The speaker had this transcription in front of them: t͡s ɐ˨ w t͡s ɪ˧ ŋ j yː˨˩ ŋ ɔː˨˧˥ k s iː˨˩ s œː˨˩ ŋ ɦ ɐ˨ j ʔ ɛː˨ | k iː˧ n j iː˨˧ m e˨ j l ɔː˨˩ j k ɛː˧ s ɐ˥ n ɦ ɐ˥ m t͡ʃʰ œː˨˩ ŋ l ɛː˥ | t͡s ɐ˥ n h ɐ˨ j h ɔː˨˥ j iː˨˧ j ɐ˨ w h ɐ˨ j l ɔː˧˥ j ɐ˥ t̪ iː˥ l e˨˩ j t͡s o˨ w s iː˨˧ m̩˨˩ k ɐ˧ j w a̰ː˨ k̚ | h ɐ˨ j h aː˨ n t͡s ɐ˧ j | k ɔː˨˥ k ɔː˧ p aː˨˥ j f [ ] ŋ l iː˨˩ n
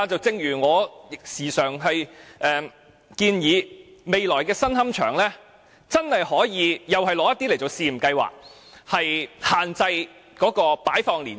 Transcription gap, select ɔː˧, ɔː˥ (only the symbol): ɔː˧